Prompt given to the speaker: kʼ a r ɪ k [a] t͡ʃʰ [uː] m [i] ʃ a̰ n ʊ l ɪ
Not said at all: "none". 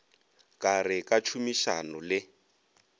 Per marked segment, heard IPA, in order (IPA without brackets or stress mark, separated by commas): a, u, i